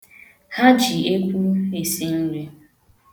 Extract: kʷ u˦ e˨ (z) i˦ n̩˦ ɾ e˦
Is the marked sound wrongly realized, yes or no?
yes